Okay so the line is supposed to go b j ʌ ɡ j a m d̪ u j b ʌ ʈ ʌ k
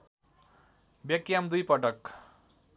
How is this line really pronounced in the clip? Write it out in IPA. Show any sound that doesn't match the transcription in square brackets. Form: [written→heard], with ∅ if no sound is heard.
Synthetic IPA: b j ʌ [ɡ→k] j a m d̪ u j [b→p] ʌ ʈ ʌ k